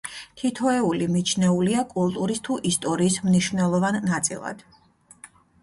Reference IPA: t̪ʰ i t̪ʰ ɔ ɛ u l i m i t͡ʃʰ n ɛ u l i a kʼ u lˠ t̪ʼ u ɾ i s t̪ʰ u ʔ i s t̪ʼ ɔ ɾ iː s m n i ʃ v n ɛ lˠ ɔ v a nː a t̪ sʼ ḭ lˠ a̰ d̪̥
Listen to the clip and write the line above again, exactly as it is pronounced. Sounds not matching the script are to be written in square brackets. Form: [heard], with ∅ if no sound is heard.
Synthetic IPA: t̪ʰ i t̪ʰ ɔ ɛ u l i m i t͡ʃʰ n ɛ u l i a kʼ u lˠ t̪ʼ u ɾ i s t̪ʰ u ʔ i s t̪ʼ ɔ ɾ iː s m n i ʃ v n ɛ lˠ ɔ v a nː a t̪ sʼ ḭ lˠ a̰ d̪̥